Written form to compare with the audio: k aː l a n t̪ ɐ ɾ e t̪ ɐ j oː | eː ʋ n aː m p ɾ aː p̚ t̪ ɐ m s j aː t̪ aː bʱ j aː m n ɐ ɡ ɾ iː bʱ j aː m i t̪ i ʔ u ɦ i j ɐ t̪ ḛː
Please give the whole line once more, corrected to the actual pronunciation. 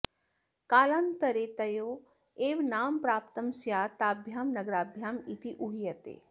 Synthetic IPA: k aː l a n t̪ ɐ ɾ e t̪ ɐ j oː | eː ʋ n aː m p ɾ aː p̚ t̪ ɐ m s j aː t̪ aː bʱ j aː m n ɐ ɡ ɾ aː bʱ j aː m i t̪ i ʔ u ɦ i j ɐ t̪ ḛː